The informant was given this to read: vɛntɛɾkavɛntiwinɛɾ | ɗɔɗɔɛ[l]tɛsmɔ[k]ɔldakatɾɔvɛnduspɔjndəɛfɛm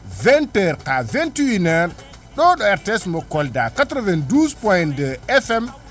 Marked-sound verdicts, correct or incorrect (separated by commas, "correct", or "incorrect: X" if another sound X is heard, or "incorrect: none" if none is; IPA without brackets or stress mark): incorrect: ɾ, correct